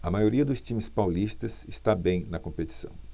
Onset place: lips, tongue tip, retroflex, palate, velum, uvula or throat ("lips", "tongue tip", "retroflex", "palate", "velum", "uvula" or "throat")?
lips